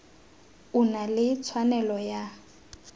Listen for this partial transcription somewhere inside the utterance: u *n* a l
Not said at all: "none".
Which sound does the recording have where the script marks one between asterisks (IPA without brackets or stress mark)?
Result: n